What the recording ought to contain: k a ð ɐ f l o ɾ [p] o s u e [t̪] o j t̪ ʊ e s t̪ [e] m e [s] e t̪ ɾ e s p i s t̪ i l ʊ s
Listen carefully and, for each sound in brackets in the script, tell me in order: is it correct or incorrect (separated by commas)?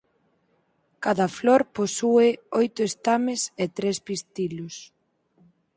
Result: correct, incorrect, incorrect, correct